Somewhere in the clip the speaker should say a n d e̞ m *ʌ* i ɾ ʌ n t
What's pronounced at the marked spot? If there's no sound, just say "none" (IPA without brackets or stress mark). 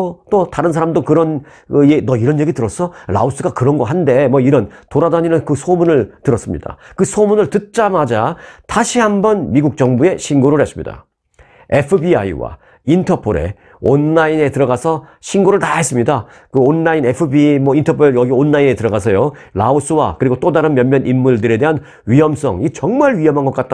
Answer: ʌ